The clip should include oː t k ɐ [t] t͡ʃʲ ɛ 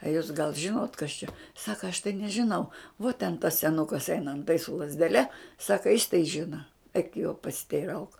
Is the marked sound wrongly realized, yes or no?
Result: yes